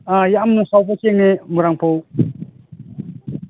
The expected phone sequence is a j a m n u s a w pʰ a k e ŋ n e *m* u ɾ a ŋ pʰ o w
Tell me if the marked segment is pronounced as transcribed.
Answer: yes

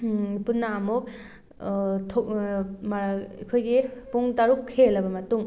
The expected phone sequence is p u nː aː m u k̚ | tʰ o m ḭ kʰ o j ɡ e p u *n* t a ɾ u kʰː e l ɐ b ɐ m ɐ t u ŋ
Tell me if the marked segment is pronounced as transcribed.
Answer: no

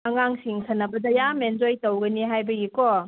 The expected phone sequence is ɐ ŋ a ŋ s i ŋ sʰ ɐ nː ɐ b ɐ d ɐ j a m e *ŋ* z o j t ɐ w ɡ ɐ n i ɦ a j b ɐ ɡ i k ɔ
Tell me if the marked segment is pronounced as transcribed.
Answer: no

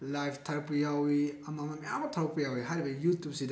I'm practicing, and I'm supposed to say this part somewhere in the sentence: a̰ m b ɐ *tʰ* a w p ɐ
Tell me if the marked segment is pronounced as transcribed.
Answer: yes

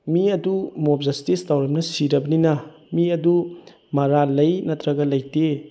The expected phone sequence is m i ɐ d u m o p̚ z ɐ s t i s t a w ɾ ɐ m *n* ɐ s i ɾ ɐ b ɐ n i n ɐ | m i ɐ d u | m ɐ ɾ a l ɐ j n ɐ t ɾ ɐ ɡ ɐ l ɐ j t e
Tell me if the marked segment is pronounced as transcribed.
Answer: yes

